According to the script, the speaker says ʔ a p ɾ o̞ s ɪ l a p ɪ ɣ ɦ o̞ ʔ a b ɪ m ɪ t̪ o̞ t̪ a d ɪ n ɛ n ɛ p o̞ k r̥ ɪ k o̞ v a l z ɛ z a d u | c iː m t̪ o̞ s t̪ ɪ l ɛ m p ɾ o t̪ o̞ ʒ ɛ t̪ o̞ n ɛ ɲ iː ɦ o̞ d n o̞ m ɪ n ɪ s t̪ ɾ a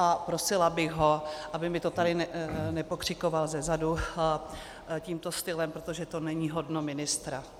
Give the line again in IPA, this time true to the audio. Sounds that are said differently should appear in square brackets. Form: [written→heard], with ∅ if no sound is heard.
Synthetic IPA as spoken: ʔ a p ɾ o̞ s ɪ l a [p→b] ɪ ɣ ɦ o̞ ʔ a b ɪ m ɪ t̪ o̞ t̪ a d ɪ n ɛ n ɛ p o̞ k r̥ ɪ k o̞ v a l z ɛ z a d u | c iː m t̪ o̞ s t̪ ɪ l ɛ m p ɾ o t̪ o̞ ʒ ɛ t̪ o̞ n ɛ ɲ iː ɦ o̞ d n o̞ m ɪ n ɪ s t̪ ɾ a

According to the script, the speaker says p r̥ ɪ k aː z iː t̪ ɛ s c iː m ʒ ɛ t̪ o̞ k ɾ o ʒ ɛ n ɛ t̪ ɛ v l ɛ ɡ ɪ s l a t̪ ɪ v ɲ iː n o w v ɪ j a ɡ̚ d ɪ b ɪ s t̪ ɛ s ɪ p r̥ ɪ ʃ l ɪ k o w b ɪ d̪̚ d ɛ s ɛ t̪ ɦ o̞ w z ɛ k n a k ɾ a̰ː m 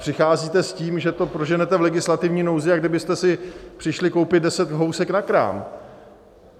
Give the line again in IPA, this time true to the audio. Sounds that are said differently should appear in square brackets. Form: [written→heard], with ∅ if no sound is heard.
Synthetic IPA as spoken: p r̥ ɪ [k→x] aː z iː t̪ ɛ s c iː m ʒ ɛ t̪ o̞ [k→p] ɾ o ʒ ɛ n ɛ t̪ ɛ v l ɛ ɡ ɪ s l a t̪ ɪ v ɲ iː n o w [v→z] ɪ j a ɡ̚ d ɪ b ɪ s t̪ ɛ s ɪ p r̥ ɪ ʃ l ɪ k o w [b→p] ɪ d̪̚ d ɛ s ɛ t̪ ɦ o̞ w [z→s] ɛ k n a k ɾ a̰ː m

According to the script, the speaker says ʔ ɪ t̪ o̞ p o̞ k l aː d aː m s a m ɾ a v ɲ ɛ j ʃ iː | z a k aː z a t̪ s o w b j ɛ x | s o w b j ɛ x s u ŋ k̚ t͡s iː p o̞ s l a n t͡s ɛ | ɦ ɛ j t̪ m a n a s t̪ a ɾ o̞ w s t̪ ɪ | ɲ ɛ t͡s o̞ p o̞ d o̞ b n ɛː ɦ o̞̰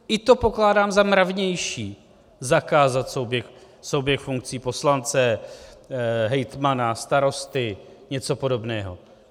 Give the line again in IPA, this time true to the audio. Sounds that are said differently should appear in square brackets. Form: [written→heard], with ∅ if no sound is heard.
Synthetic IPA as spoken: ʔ ɪ t̪ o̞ p o̞ k l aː d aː m [s→z] a m ɾ a v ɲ ɛ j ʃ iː | z a k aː z a t̪ s o w b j ɛ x | s o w b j ɛ x [s→f] u ŋ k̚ t͡s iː p o̞ s l a n t͡s ɛ | ɦ ɛ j t̪ m a n a s t̪ a ɾ o̞ [w→∅] s t̪ ɪ | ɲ ɛ t͡s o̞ p o̞ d o̞ b n ɛː ɦ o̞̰

